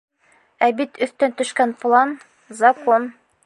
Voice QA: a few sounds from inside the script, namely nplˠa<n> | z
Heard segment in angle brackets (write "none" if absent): n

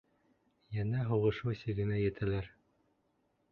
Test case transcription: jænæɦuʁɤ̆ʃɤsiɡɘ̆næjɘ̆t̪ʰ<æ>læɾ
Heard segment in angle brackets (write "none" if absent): æ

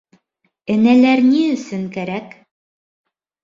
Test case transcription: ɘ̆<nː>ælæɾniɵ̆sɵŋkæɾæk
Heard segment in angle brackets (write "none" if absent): n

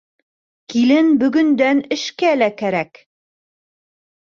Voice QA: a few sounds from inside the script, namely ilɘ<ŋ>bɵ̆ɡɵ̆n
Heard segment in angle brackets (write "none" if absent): n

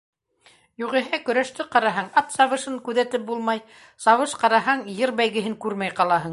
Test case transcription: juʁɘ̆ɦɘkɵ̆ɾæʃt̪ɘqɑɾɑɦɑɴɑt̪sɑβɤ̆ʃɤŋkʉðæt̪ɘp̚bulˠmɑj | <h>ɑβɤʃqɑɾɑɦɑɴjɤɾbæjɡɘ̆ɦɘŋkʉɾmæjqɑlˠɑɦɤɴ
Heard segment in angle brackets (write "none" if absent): s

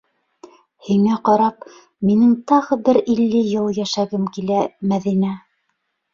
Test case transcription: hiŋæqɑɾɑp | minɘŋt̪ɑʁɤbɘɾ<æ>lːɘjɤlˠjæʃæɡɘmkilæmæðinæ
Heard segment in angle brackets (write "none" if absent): i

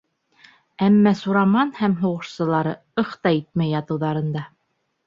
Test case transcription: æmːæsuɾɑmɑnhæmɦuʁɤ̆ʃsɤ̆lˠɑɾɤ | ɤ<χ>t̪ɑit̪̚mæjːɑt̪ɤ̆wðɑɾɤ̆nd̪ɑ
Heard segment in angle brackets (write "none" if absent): χ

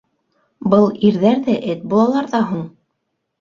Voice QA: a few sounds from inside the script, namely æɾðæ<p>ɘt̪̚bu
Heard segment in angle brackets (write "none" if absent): ʔ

